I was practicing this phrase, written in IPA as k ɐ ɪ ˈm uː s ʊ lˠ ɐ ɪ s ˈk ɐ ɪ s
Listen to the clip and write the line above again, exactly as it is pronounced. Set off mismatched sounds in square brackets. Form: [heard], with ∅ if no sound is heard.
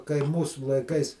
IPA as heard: k ɐ ɪ ˈm uː s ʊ lˠ ɐ ɪ [∅] ˈk ɐ ɪ s